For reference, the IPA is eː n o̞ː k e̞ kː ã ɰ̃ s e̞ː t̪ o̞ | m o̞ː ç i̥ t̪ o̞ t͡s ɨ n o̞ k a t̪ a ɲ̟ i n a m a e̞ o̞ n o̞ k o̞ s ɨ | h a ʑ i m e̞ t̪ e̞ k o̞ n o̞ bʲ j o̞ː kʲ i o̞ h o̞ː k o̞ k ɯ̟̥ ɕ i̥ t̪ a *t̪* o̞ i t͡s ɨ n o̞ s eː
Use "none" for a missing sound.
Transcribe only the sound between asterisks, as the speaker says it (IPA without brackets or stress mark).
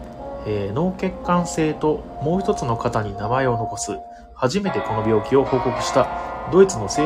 d̪